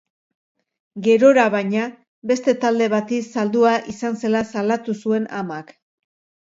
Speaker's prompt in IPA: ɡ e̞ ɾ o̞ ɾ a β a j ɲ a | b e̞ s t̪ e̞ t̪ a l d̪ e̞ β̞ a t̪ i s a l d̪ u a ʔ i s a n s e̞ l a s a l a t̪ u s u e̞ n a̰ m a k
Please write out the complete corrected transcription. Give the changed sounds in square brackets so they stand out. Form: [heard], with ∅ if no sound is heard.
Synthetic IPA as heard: ɡ e̞ ɾ o̞ ɾ a β a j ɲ a | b e̞ s t̪ e̞ t̪ a l d̪ e̞ β̞ a t̪ i s a l d̪ u a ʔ i s a n s e̞ l a s a l a t̪ u s u e̞ n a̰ m a k